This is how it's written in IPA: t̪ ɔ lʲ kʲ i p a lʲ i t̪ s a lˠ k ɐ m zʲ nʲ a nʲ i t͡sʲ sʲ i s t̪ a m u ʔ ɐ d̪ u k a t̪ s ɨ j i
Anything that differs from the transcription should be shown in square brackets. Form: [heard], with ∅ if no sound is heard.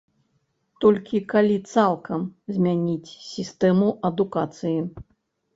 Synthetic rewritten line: t̪ ɔ lʲ kʲ i [k] a lʲ i t̪ s a lˠ k ɐ m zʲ [mʲ] a nʲ i t͡sʲ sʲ i s t̪ [ɛ] m u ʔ ɐ d̪ u k a t̪ s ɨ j i